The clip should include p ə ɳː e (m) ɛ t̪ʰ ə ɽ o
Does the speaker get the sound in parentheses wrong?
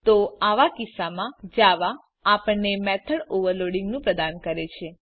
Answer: no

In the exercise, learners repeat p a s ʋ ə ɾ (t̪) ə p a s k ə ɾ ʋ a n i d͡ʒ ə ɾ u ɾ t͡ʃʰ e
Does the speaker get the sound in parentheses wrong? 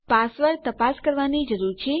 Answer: no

